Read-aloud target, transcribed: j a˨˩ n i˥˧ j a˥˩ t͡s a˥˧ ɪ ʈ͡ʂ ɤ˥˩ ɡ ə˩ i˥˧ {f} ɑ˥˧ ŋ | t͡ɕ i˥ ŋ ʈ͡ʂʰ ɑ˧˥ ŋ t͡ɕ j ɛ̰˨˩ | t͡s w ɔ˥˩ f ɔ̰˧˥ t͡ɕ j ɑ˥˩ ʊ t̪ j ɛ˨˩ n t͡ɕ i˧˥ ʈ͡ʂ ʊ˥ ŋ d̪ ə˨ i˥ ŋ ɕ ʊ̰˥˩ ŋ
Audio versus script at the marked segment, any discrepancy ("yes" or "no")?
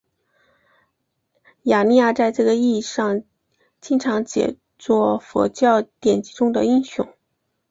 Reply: yes